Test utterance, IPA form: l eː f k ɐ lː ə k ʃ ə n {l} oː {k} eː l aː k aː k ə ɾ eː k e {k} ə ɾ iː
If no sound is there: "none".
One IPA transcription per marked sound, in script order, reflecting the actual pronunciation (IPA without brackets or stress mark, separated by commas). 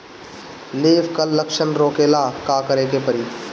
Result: ɾ, k, p